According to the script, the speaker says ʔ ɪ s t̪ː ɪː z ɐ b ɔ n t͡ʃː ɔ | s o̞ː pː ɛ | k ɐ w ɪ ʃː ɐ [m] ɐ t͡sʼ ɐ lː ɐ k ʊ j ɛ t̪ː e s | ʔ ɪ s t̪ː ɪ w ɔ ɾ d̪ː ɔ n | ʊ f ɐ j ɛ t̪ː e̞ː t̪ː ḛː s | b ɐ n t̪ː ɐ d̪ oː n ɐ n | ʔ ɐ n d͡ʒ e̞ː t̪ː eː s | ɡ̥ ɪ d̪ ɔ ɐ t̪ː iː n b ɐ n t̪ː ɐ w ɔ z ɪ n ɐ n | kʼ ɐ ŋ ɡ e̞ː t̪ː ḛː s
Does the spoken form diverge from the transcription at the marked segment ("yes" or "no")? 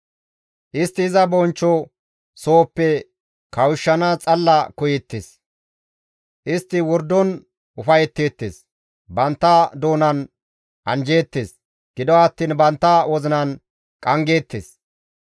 yes